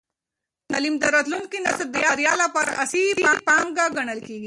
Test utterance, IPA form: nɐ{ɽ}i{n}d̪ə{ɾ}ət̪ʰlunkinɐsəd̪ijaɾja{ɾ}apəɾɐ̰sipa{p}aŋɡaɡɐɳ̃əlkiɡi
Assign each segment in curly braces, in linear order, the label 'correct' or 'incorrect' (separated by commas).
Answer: incorrect, incorrect, correct, incorrect, correct